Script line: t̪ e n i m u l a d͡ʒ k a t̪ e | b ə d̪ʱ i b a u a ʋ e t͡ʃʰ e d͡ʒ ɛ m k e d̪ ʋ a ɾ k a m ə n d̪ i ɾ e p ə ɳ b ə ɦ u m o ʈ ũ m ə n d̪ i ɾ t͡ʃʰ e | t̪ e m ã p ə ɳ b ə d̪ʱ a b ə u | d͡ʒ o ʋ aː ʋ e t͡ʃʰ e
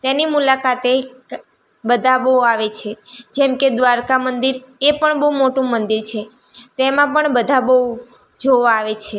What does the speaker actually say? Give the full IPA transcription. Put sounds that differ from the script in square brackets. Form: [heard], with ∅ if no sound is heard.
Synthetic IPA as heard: t̪ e n i m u l a [∅] k a t̪ e | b ə d̪ʱ [a] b [ə] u a ʋ e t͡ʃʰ e d͡ʒ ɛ m k e d̪ ʋ a ɾ k a m ə n d̪ i ɾ e p ə ɳ b ə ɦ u m o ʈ ũ m ə n d̪ i ɾ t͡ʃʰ e | t̪ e m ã p ə ɳ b ə d̪ʱ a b ə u | d͡ʒ o ʋ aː ʋ e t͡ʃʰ e